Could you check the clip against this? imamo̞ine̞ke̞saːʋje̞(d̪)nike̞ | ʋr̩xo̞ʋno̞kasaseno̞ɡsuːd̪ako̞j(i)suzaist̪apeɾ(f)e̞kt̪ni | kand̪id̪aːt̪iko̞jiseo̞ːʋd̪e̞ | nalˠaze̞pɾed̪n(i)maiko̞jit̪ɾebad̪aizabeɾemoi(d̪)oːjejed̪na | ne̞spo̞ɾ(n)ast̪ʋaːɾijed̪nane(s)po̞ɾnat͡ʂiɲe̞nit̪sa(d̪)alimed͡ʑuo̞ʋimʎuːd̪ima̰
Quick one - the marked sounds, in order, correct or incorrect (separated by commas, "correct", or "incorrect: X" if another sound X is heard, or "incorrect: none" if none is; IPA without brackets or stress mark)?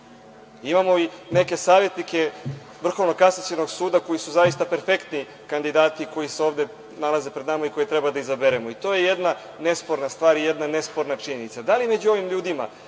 incorrect: t̪, correct, correct, incorrect: a, incorrect: t̪, correct, correct, correct